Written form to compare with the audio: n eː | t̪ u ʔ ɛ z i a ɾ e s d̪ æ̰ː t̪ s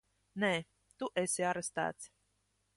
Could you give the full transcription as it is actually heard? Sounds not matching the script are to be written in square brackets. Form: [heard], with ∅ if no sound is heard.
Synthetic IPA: n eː | t̪ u ʔ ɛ [s] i a ɾ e s [t̪] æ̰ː t̪ s

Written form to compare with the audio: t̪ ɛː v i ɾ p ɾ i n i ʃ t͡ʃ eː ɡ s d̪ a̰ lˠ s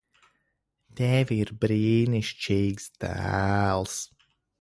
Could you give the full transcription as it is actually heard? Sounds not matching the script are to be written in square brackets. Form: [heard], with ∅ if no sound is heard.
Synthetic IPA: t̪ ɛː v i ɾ [b] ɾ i n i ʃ t͡ʃ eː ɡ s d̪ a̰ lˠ s

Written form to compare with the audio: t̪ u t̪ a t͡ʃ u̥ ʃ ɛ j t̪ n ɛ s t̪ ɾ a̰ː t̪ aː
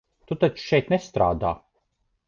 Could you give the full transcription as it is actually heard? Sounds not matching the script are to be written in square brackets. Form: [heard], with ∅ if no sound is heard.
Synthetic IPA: t̪ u t̪ a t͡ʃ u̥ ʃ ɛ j t̪ n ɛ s t̪ ɾ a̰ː [d̪] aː

